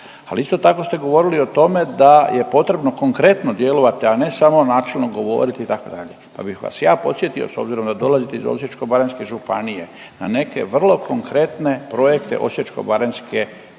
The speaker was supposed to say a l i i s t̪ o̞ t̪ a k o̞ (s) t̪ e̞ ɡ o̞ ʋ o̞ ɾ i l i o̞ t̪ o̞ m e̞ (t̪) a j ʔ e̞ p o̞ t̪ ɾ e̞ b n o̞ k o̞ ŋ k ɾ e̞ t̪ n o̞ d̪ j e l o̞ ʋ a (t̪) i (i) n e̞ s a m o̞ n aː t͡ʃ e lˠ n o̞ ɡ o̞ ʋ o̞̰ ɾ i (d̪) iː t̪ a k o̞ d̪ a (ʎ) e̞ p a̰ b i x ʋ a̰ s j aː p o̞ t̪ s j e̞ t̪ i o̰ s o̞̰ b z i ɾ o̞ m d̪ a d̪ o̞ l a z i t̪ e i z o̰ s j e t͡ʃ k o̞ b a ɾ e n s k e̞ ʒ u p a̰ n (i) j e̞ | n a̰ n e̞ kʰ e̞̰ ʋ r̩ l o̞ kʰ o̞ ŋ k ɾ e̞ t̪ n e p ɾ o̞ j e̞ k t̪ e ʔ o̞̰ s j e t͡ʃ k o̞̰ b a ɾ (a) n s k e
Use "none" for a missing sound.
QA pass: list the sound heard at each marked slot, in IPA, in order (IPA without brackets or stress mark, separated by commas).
s, d̪, t̪, a, t̪, ʎ, i, e